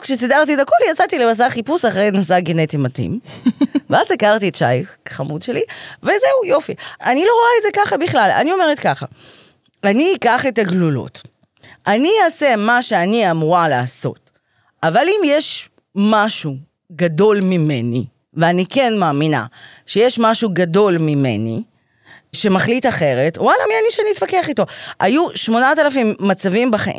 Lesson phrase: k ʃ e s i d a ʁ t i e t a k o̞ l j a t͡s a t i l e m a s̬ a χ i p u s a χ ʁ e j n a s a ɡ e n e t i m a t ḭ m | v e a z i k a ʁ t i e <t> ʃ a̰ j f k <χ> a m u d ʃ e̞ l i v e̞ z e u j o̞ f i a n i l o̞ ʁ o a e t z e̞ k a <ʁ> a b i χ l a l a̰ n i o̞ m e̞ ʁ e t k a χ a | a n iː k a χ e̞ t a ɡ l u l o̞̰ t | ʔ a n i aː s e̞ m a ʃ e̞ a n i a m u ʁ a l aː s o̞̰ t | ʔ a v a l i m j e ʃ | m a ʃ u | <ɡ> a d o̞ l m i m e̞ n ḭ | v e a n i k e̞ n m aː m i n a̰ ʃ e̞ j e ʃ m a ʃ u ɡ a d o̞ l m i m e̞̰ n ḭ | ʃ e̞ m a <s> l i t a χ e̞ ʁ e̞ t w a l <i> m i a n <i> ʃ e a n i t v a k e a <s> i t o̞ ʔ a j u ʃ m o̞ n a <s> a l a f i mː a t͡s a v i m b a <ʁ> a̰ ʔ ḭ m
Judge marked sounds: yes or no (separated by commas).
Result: yes, yes, no, yes, no, no, yes, no, no, no